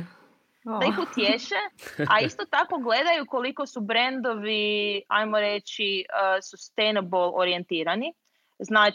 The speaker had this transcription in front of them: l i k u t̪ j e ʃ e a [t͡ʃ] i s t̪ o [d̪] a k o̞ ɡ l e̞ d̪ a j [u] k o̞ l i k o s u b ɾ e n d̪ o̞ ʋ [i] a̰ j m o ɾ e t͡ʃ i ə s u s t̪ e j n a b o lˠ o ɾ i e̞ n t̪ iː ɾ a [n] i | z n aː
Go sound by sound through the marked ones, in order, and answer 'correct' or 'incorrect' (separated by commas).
incorrect, incorrect, correct, correct, correct